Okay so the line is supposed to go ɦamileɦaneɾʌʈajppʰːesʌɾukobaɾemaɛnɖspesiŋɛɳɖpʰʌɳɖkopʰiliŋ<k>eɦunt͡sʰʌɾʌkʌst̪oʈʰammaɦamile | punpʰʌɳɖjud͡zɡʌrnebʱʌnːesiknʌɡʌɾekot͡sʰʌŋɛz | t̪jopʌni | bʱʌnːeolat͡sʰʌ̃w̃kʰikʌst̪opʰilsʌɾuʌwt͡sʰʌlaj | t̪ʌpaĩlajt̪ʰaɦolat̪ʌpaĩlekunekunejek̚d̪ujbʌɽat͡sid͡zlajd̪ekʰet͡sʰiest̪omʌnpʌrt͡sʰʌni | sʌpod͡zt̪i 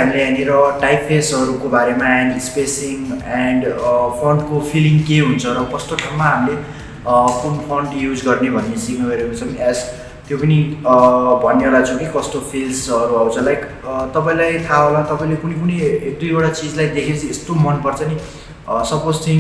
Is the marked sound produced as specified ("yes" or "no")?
yes